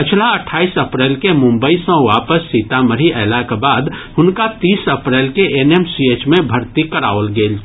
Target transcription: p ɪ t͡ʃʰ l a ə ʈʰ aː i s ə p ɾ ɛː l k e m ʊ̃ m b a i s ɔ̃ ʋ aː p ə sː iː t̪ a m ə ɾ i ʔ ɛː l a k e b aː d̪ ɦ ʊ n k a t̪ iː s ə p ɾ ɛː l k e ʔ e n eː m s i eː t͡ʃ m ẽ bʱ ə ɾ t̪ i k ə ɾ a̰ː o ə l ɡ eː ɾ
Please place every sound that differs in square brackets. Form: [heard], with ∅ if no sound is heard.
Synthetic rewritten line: p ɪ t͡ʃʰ l a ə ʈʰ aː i s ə p ɾ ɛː l k e m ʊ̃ m b [ə] i s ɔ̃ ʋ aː p ə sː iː t̪ a m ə ɾ i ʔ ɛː l a k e b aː d̪ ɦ ʊ n k a t̪ iː s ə p ɾ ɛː l k e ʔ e n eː m s i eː t͡ʃ m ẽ bʱ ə ɾ t̪ i k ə ɾ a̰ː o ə l ɡ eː [l]